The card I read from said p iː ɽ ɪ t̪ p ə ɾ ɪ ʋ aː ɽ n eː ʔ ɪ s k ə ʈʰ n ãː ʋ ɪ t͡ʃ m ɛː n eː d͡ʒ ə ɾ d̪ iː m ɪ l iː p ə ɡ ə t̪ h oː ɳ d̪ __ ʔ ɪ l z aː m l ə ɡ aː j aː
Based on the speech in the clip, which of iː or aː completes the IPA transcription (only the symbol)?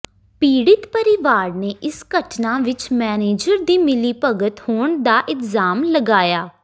aː